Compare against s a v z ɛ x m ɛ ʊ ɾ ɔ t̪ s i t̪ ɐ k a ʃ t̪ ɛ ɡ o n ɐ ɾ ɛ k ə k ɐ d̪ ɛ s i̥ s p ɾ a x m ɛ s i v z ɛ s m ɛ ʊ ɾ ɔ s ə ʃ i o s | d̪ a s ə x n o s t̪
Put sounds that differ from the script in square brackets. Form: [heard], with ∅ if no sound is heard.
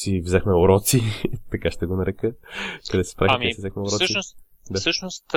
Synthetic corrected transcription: s [i] v z ɛ x m ɛ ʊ ɾ ɔ t̪ s i t̪ ɐ k a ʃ t̪ ɛ ɡ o n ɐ ɾ ɛ k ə k ɐ d̪ ɛ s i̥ s p ɾ a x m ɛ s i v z ɛ [x] m ɛ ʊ ɾ ɔ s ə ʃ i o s | d̪ a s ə [ʃ] n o s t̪